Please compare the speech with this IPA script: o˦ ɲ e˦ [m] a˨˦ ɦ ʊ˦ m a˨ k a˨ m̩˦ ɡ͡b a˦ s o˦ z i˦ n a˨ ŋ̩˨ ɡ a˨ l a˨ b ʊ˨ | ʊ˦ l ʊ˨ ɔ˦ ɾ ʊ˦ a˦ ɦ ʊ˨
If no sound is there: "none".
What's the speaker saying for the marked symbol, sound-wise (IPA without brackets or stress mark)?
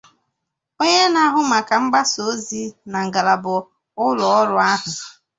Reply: n